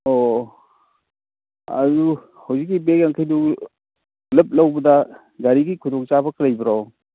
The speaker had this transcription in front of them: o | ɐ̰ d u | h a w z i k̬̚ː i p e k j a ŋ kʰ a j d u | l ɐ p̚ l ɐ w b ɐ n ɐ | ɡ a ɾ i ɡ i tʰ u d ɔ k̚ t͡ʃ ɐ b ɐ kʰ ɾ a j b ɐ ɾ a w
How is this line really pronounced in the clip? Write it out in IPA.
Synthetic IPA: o | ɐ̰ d u | h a w z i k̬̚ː i b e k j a ŋ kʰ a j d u | l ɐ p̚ l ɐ w b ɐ d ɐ | ɡ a ɾ i ɡ i kʰ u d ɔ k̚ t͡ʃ a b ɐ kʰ ɾ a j b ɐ ɾ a w